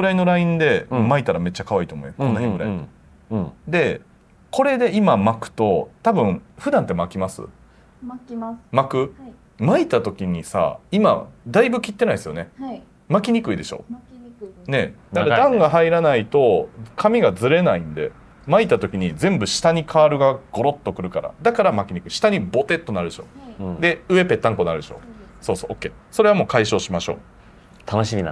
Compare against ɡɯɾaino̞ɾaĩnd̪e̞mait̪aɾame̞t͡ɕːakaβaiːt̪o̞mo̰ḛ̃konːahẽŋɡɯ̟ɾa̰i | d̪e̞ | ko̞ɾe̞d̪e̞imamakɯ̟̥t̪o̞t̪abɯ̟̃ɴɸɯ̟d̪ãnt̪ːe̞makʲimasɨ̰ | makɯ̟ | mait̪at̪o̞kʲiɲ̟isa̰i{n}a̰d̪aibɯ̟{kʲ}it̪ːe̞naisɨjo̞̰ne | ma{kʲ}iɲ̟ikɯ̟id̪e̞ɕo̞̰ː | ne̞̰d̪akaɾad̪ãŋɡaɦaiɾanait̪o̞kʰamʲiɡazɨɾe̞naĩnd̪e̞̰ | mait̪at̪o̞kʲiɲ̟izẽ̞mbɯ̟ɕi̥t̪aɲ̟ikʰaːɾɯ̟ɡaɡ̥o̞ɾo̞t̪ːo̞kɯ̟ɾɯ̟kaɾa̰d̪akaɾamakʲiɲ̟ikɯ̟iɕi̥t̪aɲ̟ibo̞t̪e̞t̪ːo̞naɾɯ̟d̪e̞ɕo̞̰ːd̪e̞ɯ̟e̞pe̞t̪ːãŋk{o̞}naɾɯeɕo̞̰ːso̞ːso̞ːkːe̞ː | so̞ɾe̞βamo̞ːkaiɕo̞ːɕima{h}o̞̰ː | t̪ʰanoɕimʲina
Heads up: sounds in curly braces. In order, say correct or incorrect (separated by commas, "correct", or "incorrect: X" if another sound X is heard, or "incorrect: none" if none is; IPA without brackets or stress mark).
incorrect: m, correct, correct, correct, incorrect: ɕ